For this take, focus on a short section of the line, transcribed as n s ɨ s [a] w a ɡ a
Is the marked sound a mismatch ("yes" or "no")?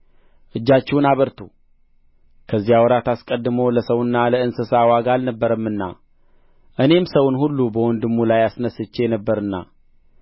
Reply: no